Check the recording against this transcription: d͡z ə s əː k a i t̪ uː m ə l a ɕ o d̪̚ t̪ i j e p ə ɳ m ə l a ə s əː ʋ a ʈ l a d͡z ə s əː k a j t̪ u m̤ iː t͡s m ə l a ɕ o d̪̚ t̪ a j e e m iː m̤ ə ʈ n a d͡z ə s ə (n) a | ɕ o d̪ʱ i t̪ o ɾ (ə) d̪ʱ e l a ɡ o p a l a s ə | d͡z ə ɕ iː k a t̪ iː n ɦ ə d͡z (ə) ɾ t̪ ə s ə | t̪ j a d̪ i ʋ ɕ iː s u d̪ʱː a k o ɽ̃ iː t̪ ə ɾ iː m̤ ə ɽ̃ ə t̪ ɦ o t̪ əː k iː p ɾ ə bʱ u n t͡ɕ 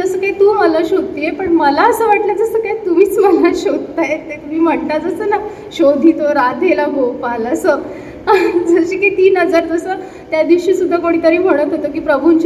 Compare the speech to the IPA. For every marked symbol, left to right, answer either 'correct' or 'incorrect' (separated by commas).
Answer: correct, incorrect, incorrect